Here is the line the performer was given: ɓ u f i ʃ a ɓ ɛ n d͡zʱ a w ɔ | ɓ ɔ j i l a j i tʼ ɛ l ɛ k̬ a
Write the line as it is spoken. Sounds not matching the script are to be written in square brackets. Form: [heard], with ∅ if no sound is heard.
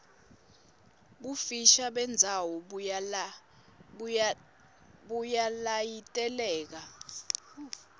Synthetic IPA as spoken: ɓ u f i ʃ a ɓ ɛ n d͡zʱ a w ɔ | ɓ [u] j [a] l a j i tʼ ɛ l [ɛː] k̬ a